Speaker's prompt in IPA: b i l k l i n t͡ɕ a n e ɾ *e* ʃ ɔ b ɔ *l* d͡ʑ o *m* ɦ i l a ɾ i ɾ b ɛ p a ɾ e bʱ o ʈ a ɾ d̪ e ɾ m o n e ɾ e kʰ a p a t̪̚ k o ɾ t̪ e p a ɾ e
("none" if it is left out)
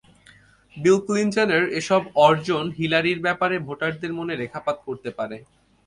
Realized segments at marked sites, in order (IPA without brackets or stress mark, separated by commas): e, ɾ, n